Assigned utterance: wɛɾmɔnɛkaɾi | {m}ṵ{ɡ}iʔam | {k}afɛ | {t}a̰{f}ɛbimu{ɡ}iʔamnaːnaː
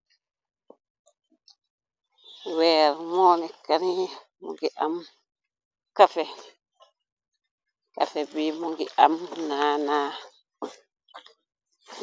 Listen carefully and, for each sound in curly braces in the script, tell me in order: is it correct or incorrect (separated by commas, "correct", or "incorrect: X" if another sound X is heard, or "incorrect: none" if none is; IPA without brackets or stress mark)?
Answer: correct, correct, correct, incorrect: k, correct, correct